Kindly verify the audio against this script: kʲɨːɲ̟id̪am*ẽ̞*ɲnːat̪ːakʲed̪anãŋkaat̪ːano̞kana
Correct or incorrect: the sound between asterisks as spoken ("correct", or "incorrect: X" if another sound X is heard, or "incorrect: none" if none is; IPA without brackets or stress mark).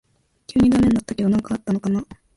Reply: incorrect: e̞